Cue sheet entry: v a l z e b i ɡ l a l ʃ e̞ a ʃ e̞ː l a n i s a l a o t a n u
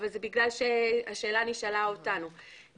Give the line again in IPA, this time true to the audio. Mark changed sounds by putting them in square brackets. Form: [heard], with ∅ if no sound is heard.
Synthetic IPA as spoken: v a l z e b i ɡ l a l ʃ e̞ a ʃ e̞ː l a n i [ʃ] a l a o t a n u